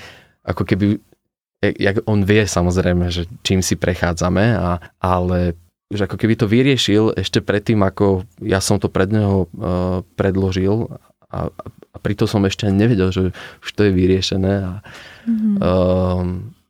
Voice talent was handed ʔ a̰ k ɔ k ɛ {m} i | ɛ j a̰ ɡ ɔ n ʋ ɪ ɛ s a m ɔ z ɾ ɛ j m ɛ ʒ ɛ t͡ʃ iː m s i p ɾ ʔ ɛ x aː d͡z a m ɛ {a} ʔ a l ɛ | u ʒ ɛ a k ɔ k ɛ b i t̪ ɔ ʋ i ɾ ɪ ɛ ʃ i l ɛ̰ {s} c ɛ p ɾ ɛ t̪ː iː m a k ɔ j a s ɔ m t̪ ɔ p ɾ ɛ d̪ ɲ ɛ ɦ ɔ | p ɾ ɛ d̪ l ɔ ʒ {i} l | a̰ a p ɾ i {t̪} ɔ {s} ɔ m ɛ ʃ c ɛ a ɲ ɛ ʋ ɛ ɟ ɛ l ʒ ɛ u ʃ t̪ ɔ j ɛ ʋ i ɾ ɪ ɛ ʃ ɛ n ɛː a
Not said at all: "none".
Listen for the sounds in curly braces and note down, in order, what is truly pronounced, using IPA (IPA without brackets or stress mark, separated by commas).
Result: b, a, ʃ, i, t̪, s